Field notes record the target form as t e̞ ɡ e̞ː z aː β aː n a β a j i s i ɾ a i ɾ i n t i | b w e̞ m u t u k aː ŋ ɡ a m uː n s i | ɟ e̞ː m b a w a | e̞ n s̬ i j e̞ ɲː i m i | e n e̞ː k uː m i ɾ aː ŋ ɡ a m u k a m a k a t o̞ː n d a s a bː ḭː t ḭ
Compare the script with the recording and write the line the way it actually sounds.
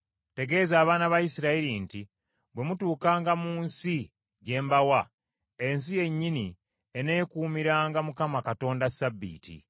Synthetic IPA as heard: t e̞ ɡ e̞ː z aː β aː n a β a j i s i ɾ a i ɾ i n t i | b w e̞ m u t uː k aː ŋ ɡ a m uː n s i | ɟ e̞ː m b a w a | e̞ n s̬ i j e̞ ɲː i n i | e n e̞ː k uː m i ɾ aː ŋ ɡ a m u k a m a k a t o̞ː n d a s a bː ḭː t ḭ